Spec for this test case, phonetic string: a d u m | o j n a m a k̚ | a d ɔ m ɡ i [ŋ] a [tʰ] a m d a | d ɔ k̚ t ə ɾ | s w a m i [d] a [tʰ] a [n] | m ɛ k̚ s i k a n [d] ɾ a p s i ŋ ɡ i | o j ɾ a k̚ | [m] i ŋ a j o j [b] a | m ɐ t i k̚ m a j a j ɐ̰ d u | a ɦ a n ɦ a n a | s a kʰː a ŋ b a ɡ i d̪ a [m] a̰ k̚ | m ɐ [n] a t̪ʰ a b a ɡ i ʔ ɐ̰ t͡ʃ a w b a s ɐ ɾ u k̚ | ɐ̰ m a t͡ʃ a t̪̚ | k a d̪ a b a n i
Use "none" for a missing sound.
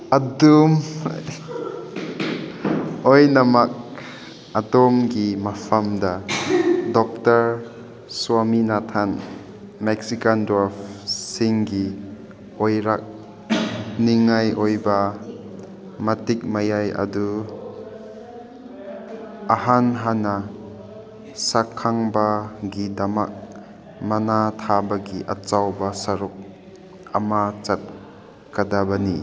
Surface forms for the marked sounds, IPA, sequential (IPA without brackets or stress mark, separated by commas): m, pʰ, n, tʰ, n, d, n, b, m, n